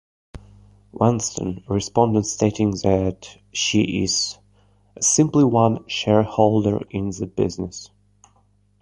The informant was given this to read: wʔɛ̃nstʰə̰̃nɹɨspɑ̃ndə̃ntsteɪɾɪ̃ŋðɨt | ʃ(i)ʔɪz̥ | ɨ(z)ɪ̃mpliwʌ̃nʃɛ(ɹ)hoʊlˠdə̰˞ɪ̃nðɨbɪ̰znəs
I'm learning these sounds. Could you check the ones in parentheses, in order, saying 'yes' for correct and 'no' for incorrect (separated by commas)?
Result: yes, no, yes